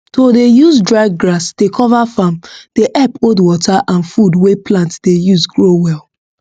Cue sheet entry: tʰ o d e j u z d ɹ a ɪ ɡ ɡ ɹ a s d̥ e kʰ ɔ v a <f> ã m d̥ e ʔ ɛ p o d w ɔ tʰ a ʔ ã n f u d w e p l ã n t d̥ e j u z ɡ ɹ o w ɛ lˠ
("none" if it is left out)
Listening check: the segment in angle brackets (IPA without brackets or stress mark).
f